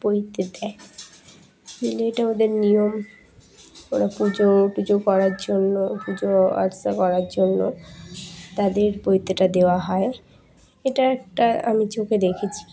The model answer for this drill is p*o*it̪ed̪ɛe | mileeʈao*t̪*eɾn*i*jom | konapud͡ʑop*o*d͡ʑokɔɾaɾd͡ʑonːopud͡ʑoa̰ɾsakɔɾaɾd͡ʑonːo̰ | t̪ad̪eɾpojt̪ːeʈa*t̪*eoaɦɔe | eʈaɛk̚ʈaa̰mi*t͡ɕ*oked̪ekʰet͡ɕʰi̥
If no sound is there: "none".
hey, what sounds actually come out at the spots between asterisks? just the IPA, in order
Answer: o, d̪, i, u, d̪, t͡ɕ

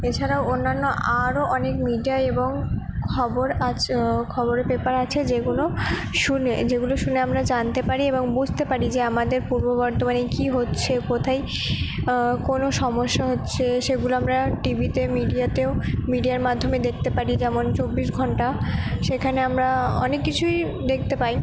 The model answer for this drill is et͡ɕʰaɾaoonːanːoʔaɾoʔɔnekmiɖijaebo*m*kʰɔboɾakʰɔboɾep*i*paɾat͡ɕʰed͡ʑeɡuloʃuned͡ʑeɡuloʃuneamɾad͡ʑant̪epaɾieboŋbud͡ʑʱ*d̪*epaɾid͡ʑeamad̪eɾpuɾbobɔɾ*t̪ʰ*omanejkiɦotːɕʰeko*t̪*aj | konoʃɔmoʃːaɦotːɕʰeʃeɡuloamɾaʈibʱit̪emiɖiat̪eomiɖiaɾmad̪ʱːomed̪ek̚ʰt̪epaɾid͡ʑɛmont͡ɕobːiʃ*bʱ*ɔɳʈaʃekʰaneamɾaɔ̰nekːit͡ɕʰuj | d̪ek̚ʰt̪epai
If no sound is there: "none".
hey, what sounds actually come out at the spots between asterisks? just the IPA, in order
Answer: ŋ, e, t̪, t̪, t̪ʰ, ɡʱ

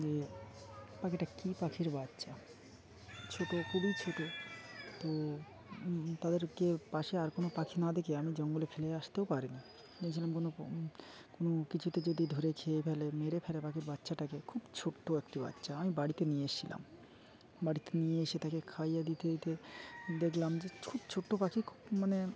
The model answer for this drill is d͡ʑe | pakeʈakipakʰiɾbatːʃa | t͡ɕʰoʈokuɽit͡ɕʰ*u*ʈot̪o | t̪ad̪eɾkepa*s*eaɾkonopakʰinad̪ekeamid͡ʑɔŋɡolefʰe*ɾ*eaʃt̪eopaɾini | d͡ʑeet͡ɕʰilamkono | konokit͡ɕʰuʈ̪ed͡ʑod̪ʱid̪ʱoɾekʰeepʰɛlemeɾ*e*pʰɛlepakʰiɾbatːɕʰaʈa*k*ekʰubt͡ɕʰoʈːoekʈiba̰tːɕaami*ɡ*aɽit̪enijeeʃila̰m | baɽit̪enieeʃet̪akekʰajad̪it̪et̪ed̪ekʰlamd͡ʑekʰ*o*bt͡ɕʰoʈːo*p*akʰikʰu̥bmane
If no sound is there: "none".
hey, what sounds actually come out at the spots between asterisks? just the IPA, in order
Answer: o, ʃ, l, e, k, b, u, p

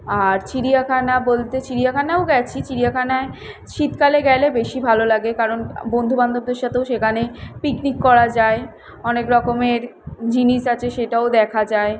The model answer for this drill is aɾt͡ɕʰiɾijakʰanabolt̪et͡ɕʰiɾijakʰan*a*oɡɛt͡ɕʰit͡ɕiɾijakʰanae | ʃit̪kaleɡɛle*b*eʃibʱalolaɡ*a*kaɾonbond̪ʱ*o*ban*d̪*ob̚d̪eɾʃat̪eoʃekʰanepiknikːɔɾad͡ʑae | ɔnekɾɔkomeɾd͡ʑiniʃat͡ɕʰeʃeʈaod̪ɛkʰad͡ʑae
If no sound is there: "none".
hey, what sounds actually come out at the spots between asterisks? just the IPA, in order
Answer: a, b, e, u, d̪

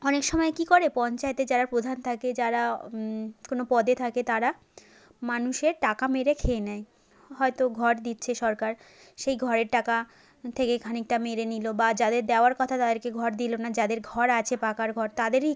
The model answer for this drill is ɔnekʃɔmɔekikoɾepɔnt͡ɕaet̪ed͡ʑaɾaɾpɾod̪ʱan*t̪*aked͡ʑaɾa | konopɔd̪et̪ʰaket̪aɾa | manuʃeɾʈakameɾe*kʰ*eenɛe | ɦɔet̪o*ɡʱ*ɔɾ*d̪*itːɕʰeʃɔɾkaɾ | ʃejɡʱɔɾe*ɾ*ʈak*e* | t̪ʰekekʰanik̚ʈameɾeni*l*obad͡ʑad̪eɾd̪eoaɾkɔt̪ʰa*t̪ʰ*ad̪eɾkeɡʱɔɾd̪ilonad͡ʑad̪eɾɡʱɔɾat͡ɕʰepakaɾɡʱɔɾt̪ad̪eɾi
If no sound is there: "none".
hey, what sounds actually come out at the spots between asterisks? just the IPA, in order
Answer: t̪ʰ, kʰ, ɡʱ, d̪, ɾ, a, l, t̪

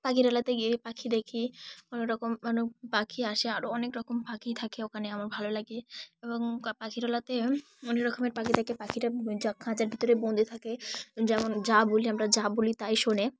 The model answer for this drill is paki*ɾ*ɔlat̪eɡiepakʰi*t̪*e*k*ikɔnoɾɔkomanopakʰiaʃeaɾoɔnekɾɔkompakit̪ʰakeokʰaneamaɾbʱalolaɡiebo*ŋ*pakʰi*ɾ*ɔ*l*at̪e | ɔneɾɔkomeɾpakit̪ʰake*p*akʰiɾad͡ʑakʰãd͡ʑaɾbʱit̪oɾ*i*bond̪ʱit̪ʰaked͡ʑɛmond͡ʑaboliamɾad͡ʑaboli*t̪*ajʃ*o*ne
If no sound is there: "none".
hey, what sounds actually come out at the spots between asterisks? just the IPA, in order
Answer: ɾ, d̪, kʰ, ŋ, ɾ, l, p, e, t̪, o

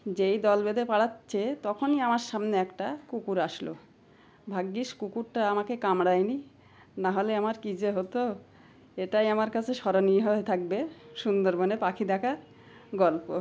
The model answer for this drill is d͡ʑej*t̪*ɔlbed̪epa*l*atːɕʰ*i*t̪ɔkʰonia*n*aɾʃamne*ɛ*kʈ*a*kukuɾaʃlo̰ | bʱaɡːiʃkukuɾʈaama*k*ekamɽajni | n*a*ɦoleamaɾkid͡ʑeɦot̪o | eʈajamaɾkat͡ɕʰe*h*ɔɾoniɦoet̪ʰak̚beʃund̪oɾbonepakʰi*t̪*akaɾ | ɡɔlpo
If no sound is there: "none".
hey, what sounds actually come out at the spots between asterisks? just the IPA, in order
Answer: d̪, ɽ, e, m, ɛ, a, k, a, ʃ, d̪

